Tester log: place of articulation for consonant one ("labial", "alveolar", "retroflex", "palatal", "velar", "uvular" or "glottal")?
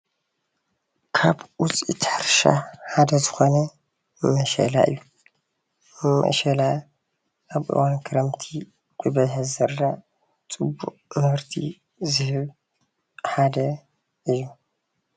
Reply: velar